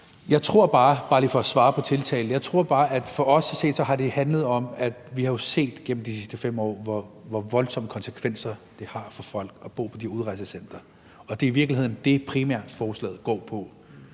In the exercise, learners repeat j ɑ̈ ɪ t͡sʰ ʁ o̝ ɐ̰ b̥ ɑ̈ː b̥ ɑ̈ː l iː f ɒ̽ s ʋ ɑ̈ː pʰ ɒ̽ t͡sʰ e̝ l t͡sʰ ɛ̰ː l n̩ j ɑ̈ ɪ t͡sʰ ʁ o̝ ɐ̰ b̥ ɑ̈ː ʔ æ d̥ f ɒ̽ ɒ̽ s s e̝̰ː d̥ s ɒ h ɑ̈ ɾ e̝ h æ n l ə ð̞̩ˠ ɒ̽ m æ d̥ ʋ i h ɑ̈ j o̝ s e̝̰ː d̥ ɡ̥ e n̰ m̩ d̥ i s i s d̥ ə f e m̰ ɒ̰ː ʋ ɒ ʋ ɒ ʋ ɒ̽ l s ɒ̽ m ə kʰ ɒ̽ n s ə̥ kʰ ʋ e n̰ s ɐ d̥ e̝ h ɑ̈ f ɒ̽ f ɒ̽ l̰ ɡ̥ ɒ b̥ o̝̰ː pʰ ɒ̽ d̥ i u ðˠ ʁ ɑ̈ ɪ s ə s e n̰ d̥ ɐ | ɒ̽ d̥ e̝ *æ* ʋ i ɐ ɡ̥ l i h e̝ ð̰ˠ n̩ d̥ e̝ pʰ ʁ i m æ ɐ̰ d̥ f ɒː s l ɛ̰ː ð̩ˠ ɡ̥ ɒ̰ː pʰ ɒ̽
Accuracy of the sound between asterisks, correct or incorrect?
incorrect